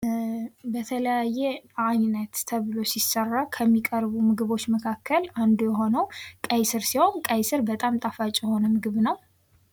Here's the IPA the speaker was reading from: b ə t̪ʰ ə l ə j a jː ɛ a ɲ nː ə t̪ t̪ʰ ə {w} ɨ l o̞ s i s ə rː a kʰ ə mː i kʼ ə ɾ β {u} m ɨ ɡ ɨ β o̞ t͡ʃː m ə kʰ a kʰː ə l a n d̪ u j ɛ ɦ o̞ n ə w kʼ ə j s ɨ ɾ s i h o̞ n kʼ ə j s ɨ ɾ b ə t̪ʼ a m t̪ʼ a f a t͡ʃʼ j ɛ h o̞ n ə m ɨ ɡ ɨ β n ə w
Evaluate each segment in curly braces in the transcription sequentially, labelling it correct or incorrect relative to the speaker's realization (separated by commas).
incorrect, correct